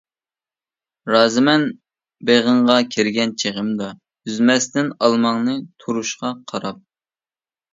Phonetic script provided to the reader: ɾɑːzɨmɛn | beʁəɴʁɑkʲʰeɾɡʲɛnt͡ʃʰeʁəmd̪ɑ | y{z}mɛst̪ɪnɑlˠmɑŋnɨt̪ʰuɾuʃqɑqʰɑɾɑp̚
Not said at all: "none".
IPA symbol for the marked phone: z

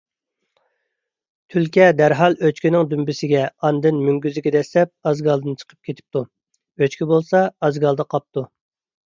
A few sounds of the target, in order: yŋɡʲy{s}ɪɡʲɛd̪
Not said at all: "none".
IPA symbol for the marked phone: z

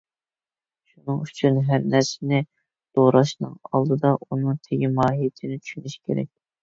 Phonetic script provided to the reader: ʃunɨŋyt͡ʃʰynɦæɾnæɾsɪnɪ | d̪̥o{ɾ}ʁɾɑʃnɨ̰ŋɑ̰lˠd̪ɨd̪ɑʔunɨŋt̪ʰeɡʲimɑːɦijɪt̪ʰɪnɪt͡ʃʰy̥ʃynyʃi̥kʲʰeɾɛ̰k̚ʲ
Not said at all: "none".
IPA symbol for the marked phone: none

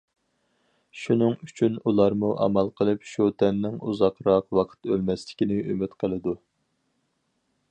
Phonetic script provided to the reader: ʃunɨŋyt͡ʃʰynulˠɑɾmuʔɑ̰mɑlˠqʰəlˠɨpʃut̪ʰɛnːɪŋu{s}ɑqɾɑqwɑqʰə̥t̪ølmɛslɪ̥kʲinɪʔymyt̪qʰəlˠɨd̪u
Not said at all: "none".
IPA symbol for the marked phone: z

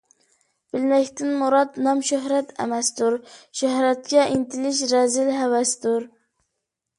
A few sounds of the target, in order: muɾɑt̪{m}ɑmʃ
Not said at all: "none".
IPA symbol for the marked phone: n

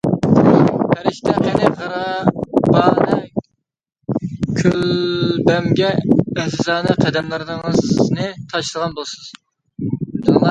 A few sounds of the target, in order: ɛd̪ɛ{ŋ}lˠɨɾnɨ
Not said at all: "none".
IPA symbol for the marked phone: m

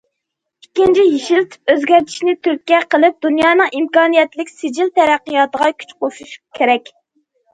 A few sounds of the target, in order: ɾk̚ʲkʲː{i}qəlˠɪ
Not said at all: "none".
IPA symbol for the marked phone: ɛ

